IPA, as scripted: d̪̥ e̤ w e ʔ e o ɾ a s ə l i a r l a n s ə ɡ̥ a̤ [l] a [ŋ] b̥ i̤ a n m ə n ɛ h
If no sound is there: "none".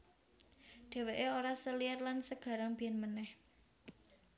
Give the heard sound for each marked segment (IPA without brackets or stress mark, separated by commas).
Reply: ɾ, ŋ